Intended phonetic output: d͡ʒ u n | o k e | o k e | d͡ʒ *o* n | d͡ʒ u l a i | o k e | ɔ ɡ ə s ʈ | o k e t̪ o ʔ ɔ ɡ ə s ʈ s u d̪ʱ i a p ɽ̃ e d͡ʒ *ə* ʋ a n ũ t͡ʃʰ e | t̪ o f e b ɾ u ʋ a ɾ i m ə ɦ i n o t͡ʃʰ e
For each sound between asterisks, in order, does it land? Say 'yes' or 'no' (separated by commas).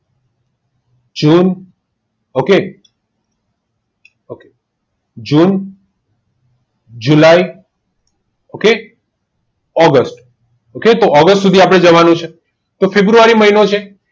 no, yes